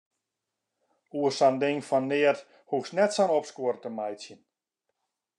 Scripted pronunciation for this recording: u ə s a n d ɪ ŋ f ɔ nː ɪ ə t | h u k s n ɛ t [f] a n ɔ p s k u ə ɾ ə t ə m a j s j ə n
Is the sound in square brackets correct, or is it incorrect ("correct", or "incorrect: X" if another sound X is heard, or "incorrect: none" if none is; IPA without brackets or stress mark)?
incorrect: s